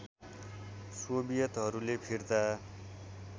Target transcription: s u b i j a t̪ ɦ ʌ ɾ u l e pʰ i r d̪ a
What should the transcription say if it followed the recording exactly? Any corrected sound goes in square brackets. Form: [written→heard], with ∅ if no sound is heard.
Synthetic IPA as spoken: s [u→o] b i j [a→ʌ] t̪ ɦ ʌ ɾ u l e pʰ i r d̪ a